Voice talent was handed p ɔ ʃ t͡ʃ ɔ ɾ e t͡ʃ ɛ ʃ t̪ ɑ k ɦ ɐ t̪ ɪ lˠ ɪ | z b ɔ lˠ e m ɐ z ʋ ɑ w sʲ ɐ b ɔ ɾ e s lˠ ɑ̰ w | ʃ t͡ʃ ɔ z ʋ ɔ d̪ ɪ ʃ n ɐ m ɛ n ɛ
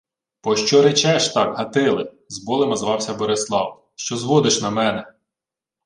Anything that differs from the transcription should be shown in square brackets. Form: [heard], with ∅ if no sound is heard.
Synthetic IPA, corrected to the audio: p ɔ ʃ t͡ʃ ɔ ɾ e t͡ʃ ɛ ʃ t̪ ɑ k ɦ ɐ t̪ ɪ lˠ ɪ | z b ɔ lˠ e m ɐ z ʋ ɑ w sʲ ɐ b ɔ ɾ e s lˠ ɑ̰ w | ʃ t͡ʃ ɔ z ʋ ɔ d̪ ɪ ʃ n ɐ m ɛ n ɛ